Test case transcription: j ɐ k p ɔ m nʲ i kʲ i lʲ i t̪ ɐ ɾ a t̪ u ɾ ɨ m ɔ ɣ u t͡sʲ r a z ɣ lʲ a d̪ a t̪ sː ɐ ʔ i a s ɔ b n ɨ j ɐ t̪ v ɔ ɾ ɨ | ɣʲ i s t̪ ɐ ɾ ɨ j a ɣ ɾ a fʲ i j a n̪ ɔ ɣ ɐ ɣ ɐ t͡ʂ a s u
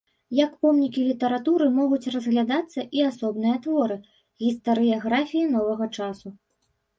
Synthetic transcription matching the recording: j ɐ k p ɔ m nʲ i kʲ i lʲ i t̪ ɐ ɾ a t̪ u ɾ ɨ m ɔ ɣ u t͡sʲ r ɐ z ɣ lʲ a d̪ a t̪ sː ɐ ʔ i a s ɔ b n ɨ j ɐ t̪ v ɔ ɾ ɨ | ɣʲ i s t̪ ɐ ɾ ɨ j a ɣ ɾ a fʲ i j i n̪ ɔ v ɐ ɣ ɐ t͡ʂ a s u

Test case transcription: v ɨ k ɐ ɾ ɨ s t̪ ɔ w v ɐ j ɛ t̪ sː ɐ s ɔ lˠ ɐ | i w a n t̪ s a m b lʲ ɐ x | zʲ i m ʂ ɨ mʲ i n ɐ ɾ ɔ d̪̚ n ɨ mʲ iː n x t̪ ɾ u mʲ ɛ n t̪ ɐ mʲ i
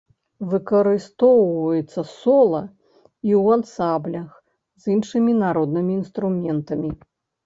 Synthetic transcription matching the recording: v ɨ k ɐ ɾ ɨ s t̪ ɔ w v ɐ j ɛ t̪ sː ɐ s ɔ lˠ ɐ | i w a n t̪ s a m b lʲ ɐ x | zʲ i n ʂ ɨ mʲ i n a ɾ ɔ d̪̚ n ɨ mʲ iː n s t̪ ɾ u mʲ ɛ n t̪ ɐ mʲ i

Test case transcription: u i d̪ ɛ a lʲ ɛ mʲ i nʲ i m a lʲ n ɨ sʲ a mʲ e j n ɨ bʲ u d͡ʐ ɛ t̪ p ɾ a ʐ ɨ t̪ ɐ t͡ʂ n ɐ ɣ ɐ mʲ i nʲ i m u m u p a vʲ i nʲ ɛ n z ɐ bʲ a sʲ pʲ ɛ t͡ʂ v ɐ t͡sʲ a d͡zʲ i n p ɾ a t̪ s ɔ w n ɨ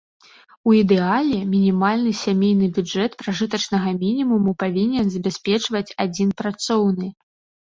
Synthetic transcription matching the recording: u i d̪ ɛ a lʲ ɛ mʲ i nʲ i m a lʲ n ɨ sʲ a mʲ e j n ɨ bʲ u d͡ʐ ɛ t̪ p ɾ a ʐ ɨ t̪ ɐ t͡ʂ n ɐ ɣ ɐ mʲ i nʲ i m u m u p a vʲ i nʲ ɛ n z ɐ bʲ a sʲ pʲ ɛ t͡ʂ v ɐ t͡sʲ a d͡zʲ i n p ɾ a t̪ s ɔ w n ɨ

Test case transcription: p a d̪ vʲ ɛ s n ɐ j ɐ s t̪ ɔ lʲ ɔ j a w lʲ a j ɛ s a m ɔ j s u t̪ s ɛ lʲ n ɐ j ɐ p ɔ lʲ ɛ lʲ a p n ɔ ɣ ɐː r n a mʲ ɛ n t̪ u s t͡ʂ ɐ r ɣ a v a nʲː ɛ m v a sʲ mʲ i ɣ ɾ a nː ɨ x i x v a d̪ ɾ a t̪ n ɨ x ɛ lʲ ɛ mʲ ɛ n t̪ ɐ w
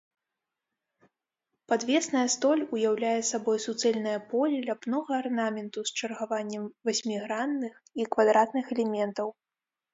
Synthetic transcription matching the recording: p a d̪ vʲ ɛ s n ɐ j ɐ s t̪ ɔ lʲ u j a w lʲ a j ɛ s a b ɔ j s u t̪ s ɛ lʲ n ɐ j ɐ p ɔ lʲ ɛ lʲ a p n ɔ ɣ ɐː r n a mʲ ɛ n t̪ u s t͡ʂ ɐ r ɣ a v a nʲː ɛ m v a sʲ mʲ i ɣ ɾ a nː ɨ x i k v a d̪ ɾ a t̪ n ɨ x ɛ lʲ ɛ mʲ ɛ n t̪ ɐ w

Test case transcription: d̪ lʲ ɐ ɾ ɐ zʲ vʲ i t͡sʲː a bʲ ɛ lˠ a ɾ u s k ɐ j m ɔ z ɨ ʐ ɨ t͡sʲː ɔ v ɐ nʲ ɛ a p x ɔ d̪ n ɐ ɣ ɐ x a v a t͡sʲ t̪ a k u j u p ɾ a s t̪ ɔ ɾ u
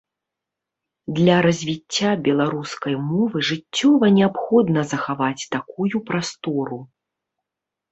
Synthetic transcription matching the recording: d̪ lʲ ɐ ɾ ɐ zʲ vʲ i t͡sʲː a bʲ ɛ lˠ a ɾ u s k ɐ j m ɔ v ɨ ʐ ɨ t͡sʲː ɔ v ɐ nʲ ɛ a p x ɔ d̪ n ɐ z ɐ x a v a t͡sʲ t̪ a k u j u p ɾ a s t̪ ɔ ɾ u

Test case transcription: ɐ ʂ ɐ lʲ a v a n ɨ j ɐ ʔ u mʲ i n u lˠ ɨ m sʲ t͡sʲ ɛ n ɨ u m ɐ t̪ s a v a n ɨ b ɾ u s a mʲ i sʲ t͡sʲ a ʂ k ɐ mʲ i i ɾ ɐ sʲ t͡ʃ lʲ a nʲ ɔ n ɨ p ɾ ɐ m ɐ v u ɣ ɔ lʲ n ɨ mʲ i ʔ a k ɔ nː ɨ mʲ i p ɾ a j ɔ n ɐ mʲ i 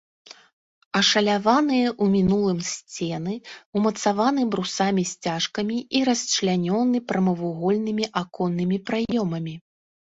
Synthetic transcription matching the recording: ɐ ʂ ɐ lʲ a v a n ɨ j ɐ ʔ u mʲ i n u lˠ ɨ m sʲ t͡sʲ ɛ n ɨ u m ɐ t̪ s a v a n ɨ b ɾ u s a mʲ i sʲ t͡sʲ a ʂ k ɐ mʲ i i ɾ ɐ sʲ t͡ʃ lʲ a nʲ ɔ n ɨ p ɾ ɐ m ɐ v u ɣ ɔ lʲ n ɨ mʲ i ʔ a k ɔ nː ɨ mʲ i p ɾ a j ɔ m ɐ mʲ i

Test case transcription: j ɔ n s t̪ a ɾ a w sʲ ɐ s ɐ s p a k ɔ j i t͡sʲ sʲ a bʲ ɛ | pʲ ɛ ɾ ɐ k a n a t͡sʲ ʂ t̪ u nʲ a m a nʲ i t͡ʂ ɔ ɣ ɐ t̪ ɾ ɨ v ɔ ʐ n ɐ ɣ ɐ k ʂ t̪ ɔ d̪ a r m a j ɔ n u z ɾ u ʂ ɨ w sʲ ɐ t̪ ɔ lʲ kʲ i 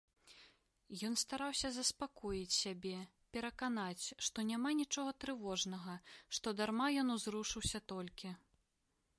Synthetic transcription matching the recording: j ɔ n s t̪ a ɾ a w sʲ ɐ z ɐ s p a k ɔ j i t͡sʲ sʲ a bʲ ɛ | pʲ ɛ ɾ ɐ k a n a t͡sʲ ʂ t̪ ɔ nʲ a m a nʲ i t͡ʂ ɔ ɣ ɐ t̪ ɾ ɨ v ɔ ʐ n ɐ ɣ ɐ ʂ t̪ ɔ d̪ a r m a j ɔ n u z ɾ u ʂ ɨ w sʲ ɐ t̪ ɔ lʲ kʲ i

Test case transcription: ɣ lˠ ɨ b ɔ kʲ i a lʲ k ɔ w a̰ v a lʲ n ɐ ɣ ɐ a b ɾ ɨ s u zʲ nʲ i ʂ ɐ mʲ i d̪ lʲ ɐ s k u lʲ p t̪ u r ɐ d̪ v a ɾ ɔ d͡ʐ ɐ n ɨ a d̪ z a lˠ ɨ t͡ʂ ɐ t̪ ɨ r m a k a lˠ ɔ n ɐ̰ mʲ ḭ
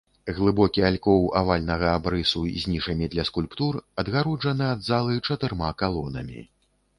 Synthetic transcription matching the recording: ɣ lˠ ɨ b ɔ kʲ i a lʲ k ɔ w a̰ v a lʲ n ɐ ɣ ɐ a b ɾ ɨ s u zʲ nʲ i ʂ ɐ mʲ i d̪ lʲ ɐ s k u lʲ p t̪ u r ɐ d̪ ɣ a ɾ ɔ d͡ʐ ɐ n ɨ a d̪ z a lˠ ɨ t͡ʂ ɐ t̪ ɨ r m a k a lˠ ɔ n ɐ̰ mʲ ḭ

